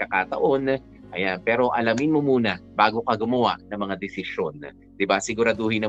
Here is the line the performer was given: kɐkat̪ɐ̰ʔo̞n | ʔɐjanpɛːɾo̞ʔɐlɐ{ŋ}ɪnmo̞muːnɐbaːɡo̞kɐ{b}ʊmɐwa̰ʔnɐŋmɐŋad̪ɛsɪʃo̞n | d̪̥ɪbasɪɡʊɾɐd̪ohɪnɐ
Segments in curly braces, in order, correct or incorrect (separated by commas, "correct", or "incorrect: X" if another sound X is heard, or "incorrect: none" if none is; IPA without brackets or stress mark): incorrect: m, incorrect: ɡ